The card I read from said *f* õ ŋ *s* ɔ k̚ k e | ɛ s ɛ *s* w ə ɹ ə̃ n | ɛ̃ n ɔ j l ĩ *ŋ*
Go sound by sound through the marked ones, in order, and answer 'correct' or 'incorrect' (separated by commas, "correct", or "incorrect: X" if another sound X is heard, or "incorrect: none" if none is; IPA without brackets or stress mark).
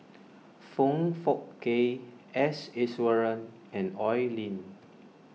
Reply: correct, incorrect: f, correct, incorrect: n